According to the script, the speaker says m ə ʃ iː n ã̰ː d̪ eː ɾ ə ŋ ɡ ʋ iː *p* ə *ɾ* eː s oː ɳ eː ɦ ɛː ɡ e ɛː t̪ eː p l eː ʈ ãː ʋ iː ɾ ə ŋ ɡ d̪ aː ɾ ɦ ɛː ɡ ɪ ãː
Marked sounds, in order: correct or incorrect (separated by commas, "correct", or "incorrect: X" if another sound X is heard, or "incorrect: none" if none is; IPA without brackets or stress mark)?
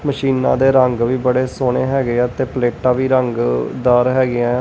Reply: incorrect: b, incorrect: ɽ